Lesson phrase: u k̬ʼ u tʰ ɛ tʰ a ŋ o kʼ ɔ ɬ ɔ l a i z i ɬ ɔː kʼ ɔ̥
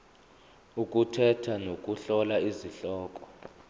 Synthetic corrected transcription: u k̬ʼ u tʰ ɛ tʰ a n o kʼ u ɬ ɔ l a i z i ɬ ɔː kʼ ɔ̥